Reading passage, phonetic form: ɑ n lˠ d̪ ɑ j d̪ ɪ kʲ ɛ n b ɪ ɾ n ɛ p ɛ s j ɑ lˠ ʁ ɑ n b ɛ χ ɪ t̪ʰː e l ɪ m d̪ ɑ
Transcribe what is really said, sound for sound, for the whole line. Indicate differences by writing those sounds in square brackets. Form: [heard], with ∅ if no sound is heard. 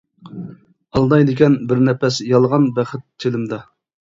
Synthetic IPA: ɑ [∅] lˠ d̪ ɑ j d̪ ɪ kʲ ɛ n b ɪ ɾ n ɛ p ɛ s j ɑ lˠ ʁ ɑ n b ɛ χ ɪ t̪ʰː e l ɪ m d̪ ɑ